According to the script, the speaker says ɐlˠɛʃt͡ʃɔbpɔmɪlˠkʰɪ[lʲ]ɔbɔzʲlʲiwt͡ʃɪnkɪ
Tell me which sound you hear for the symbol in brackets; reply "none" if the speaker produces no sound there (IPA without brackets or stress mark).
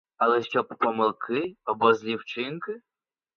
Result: none